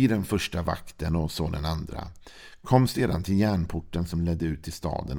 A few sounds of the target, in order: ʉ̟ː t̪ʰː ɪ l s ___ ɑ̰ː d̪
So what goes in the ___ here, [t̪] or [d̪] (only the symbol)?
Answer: t̪